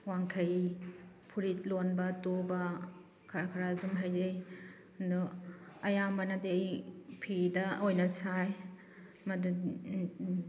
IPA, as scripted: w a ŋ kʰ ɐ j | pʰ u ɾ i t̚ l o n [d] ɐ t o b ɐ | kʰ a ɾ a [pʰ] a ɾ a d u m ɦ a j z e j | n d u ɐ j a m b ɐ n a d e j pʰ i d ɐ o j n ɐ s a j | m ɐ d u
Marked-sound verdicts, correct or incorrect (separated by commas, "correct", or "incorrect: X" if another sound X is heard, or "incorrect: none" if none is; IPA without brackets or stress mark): incorrect: b, incorrect: kʰ